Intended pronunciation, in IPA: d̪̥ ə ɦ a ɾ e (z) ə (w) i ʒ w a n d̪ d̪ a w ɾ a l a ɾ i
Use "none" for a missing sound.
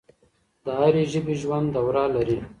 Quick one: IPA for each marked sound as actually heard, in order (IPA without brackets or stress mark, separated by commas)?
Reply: ʒ, b